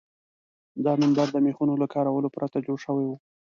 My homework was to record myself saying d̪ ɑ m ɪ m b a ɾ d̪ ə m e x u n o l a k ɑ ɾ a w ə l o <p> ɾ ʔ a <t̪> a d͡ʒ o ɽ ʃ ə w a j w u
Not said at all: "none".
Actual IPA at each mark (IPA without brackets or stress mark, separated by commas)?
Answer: p, t̪